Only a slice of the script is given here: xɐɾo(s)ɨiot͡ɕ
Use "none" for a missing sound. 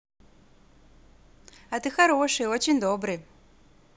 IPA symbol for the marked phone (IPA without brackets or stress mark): ʂ